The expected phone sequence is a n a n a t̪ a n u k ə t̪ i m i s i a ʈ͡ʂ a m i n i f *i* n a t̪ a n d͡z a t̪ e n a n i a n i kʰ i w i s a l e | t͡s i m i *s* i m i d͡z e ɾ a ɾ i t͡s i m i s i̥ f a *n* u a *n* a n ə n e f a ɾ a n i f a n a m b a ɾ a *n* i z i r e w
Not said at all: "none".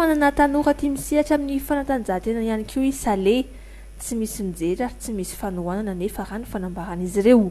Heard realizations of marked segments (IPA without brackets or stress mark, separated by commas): a, s, n, n, n